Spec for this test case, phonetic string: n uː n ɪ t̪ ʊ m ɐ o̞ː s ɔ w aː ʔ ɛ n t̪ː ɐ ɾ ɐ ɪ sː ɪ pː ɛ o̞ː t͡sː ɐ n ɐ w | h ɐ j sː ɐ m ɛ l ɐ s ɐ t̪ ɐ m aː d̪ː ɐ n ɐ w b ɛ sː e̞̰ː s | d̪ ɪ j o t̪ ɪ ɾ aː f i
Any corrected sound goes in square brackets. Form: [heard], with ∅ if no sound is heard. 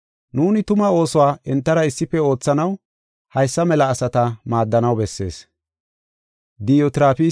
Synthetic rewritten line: n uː n ɪ t̪ ʊ m ɐ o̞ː s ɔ w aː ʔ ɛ n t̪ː ɐ ɾ ɐ ɪ sː ɪ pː ɛ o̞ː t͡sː ɐ n ɐ w | h ɐ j sː ɐ m ɛ l [ɐː] s ɐ t̪ ɐ m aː d̪ː ɐ n ɐ w b ɛ sː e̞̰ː s | d̪ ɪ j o t̪ ɪ ɾ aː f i